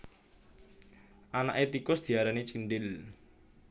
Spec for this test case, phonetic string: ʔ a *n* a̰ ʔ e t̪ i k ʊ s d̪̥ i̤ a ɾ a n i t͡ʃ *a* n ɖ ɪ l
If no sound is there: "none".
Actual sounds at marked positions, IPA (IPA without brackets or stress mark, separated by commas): n, i